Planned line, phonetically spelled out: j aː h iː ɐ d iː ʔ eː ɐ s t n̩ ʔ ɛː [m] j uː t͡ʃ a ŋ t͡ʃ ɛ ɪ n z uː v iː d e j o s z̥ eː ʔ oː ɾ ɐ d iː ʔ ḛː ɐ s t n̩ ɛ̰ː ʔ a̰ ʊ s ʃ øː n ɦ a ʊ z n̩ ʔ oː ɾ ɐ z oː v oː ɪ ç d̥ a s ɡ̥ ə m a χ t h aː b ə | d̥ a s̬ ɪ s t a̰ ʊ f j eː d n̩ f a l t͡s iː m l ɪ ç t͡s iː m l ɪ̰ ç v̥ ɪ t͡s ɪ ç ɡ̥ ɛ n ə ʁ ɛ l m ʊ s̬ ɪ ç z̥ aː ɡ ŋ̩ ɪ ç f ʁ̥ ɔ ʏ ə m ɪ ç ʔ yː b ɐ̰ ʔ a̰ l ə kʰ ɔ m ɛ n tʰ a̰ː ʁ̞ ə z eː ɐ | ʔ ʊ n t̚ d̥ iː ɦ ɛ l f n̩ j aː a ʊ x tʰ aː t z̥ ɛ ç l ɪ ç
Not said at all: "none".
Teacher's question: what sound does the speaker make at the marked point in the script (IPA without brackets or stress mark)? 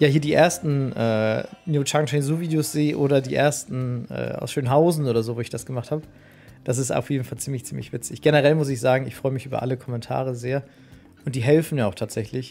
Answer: n